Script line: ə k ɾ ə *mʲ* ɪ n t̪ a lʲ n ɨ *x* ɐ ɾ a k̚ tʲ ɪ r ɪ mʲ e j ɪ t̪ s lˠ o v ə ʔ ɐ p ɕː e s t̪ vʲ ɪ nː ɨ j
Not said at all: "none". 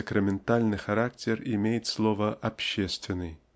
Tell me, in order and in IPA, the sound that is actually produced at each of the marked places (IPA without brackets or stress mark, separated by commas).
mʲ, x